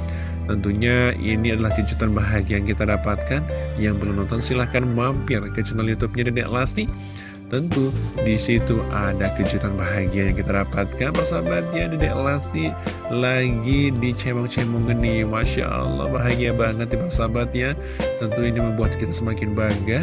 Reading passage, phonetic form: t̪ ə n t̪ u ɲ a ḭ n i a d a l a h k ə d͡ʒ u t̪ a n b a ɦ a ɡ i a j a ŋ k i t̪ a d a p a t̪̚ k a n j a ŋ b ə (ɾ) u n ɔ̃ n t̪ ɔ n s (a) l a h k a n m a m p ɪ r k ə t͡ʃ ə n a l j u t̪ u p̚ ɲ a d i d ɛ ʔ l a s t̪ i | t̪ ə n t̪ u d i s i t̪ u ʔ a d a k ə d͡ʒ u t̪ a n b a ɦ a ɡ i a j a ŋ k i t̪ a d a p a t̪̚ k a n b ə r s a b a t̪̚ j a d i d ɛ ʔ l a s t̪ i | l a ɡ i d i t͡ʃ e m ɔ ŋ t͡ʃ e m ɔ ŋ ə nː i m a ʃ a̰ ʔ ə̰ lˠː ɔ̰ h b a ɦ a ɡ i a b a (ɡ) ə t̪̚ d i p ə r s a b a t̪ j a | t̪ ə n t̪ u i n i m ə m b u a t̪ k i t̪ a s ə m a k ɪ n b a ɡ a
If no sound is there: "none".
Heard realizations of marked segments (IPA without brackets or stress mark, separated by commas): l, i, ŋ